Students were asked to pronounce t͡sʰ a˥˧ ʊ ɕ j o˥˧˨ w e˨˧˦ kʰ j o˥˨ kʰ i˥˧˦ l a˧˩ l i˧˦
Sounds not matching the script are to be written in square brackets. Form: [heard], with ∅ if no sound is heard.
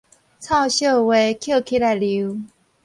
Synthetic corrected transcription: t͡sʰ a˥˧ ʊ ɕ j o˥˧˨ w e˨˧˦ kʰ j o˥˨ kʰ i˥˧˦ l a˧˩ l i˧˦